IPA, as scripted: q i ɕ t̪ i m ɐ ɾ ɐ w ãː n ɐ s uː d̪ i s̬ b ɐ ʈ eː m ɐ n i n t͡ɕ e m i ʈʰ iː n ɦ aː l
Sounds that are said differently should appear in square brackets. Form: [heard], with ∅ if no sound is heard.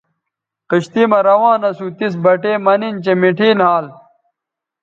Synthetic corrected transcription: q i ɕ t̪ i m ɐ ɾ ɐ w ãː n ɐ s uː [t̪] i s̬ b ɐ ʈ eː m ɐ n i n t͡ɕ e m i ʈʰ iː n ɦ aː l